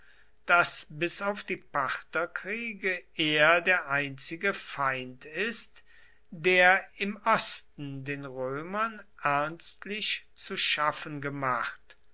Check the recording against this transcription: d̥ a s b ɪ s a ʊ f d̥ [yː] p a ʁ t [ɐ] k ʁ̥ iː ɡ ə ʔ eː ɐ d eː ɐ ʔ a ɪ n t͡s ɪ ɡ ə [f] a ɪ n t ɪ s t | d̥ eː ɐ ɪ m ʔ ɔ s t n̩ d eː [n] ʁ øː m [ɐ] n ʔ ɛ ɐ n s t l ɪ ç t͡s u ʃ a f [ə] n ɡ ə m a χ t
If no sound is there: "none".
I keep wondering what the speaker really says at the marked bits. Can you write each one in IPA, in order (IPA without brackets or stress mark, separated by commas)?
iː, ɐ, f, n, ɐ, ə